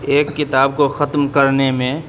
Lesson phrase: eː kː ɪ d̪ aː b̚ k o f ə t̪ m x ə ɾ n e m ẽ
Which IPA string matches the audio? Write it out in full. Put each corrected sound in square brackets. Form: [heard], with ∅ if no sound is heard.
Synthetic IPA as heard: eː kː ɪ [t̪] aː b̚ k o [x] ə t̪ m [k] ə ɾ n e m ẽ